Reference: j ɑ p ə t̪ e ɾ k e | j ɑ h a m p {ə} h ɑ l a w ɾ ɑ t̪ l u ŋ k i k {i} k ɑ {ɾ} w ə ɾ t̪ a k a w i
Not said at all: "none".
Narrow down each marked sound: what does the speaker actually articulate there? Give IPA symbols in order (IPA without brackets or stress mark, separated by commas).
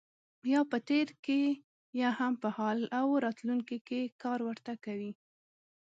ə, e, ɾ